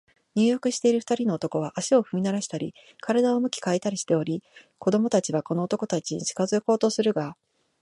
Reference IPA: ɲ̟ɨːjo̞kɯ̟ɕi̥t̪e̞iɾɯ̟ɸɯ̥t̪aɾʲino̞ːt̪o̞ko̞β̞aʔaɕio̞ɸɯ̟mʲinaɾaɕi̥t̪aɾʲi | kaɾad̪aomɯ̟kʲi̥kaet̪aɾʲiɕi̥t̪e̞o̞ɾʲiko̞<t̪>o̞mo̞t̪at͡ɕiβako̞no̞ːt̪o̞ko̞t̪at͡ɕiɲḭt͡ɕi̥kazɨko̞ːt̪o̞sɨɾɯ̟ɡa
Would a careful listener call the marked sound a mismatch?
yes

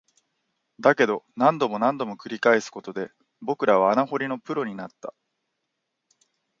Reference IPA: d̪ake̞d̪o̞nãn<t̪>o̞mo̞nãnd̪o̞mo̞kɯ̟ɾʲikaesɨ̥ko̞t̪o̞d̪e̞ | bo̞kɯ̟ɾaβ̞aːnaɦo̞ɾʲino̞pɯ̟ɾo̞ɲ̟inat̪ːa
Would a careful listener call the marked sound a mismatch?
yes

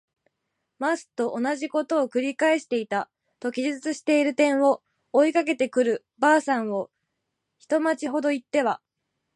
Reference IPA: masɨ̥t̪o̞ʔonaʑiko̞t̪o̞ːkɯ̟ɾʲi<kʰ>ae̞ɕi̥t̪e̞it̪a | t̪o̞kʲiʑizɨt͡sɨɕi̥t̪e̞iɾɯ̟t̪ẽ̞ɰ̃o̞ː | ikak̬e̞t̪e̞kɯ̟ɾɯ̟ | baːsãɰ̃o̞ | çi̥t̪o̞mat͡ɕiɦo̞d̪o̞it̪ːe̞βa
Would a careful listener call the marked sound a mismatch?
yes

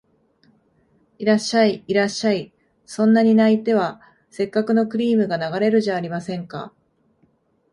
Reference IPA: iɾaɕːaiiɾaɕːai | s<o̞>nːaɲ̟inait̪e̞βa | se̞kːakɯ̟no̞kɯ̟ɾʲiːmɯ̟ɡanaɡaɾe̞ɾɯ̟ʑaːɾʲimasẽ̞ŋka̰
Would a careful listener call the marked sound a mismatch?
yes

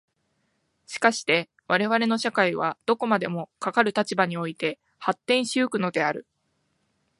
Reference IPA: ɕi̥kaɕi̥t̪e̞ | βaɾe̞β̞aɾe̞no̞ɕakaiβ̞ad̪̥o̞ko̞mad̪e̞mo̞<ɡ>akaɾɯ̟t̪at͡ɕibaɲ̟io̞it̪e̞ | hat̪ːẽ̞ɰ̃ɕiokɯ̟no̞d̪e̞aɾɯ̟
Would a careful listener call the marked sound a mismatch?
yes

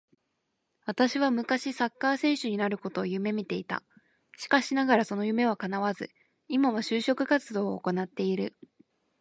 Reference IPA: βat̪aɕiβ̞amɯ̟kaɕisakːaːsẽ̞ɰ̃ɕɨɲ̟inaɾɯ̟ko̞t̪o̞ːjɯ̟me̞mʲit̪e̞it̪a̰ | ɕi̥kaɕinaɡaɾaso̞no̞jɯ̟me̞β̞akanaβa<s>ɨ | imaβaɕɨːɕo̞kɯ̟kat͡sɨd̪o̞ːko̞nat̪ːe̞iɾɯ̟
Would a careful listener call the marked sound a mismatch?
yes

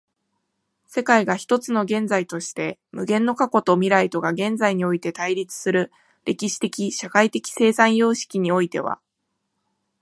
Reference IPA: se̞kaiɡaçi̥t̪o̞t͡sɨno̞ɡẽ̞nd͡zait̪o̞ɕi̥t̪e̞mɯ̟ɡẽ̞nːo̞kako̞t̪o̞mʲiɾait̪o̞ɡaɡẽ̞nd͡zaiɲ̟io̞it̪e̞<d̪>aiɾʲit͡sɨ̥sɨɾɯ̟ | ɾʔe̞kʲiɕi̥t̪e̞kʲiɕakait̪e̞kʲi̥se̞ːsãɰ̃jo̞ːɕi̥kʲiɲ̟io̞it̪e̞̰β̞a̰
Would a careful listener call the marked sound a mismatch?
yes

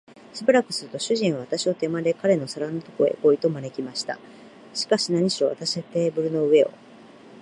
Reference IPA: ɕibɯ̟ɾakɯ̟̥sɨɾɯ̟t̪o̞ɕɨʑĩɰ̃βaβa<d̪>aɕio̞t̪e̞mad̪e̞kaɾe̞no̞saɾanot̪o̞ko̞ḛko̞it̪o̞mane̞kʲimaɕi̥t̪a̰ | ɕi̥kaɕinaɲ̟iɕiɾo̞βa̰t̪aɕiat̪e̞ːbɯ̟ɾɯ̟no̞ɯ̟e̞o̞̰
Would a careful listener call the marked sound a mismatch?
yes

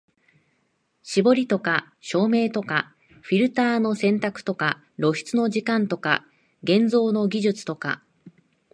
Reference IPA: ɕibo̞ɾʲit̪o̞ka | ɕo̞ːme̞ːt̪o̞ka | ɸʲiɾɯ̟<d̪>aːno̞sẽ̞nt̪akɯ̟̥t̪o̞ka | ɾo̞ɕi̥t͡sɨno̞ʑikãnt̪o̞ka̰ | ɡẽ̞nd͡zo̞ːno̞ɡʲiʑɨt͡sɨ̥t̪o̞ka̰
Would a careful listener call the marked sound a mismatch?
yes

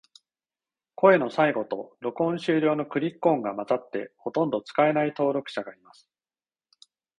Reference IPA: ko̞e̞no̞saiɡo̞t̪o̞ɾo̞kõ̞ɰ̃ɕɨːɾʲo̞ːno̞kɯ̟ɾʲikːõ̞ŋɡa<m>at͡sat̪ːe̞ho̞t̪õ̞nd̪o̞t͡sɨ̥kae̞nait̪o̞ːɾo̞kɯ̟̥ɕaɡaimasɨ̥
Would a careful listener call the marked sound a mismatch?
no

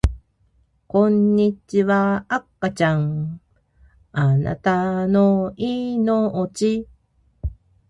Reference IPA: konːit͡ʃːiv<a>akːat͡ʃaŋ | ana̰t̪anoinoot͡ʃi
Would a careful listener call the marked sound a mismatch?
no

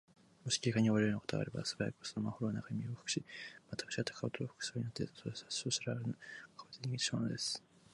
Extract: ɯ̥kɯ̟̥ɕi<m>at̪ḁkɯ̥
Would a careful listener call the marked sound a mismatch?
no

